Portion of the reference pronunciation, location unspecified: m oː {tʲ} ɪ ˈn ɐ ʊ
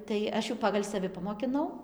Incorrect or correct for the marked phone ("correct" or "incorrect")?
incorrect